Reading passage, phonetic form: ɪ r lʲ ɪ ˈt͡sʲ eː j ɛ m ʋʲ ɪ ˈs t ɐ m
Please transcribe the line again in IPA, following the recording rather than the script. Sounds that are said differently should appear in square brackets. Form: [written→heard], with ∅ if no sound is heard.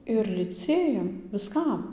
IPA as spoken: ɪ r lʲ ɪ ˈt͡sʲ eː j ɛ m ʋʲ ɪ ˈs [t→k] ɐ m